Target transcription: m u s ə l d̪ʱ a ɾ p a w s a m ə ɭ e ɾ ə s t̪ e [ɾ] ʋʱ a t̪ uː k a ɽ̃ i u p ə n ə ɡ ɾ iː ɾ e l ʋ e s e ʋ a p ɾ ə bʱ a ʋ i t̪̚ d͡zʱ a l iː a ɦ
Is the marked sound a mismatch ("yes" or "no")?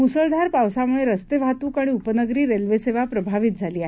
yes